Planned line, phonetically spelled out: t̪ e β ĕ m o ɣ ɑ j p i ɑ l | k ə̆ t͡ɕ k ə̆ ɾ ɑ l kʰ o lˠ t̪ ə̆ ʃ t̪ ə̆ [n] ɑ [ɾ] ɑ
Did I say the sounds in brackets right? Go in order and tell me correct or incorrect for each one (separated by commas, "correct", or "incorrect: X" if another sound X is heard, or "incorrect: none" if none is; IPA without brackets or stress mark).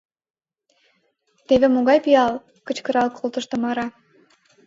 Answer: incorrect: m, correct